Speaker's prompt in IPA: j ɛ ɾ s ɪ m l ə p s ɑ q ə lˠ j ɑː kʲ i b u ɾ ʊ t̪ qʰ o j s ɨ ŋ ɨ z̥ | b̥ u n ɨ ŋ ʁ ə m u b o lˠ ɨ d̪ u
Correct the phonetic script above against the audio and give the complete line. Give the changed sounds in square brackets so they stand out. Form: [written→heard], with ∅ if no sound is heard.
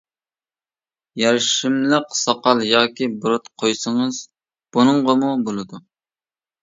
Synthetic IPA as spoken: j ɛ ɾ [s→ʃ] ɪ m l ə [p→q] s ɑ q [ə→ɑ] lˠ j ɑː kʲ i b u ɾ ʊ t̪ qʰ o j s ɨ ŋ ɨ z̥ | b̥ u n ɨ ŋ ʁ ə m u b o lˠ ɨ d̪ u